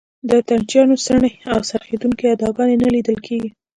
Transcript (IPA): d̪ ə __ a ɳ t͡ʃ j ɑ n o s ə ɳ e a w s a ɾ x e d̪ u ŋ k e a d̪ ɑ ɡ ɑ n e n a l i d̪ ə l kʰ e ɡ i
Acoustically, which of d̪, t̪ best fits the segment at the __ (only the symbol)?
t̪